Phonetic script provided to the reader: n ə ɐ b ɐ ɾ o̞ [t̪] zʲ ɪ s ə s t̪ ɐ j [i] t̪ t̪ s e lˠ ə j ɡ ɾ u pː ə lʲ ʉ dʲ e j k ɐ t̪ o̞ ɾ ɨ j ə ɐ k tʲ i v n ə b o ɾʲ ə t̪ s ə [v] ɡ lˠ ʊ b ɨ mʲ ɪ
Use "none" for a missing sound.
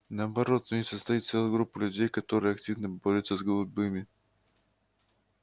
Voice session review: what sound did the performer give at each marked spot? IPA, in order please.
t̪, i, z

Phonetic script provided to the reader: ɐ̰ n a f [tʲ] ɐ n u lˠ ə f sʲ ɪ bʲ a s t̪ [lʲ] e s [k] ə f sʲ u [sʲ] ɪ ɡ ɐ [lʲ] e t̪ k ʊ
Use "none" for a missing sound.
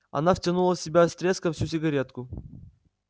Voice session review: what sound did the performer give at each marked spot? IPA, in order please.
tʲ, ɾʲ, k, sʲ, ɾʲ

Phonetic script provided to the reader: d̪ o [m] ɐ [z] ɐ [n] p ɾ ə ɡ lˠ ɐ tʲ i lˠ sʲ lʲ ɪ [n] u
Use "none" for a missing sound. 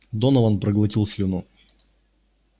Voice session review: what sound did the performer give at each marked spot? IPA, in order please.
n, v, n, n

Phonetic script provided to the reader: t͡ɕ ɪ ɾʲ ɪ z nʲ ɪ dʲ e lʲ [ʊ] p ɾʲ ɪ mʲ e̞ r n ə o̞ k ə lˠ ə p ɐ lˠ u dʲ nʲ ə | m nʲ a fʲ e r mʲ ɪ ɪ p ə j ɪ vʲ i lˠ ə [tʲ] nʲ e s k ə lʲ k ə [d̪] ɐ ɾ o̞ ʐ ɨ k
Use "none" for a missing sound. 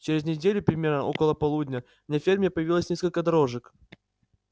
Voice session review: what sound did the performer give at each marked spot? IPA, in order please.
ʊ, sʲ, d̪

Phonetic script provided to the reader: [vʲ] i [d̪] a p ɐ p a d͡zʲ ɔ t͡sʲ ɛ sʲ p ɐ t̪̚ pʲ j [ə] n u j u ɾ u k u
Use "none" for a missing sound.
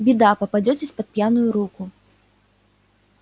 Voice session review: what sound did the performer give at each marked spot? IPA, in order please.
bʲ, d̪, a

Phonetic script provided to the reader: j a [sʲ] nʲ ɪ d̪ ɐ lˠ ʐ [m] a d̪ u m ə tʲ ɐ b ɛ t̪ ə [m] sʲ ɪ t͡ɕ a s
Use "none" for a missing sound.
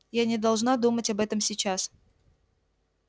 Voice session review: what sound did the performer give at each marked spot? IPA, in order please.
none, n, m

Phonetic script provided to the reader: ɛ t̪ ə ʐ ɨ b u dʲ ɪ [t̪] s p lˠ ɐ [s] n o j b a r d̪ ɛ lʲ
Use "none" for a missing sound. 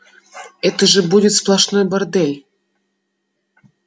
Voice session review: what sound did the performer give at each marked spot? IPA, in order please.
t̪, ʂ

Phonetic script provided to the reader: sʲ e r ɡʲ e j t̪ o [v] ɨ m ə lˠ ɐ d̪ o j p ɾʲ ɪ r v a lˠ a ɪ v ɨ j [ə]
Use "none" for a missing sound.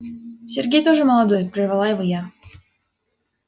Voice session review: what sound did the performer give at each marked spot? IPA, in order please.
ʐ, a

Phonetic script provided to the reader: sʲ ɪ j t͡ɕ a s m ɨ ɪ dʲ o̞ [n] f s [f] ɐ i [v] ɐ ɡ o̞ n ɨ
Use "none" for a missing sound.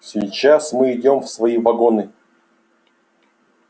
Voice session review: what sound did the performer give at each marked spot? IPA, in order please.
m, v, v

